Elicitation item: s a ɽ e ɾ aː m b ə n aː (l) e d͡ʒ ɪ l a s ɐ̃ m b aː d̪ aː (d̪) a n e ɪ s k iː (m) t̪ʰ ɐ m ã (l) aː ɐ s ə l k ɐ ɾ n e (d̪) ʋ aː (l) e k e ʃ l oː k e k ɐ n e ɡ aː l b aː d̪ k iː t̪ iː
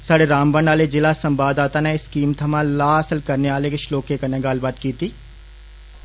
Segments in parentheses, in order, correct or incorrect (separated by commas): correct, incorrect, correct, correct, incorrect, correct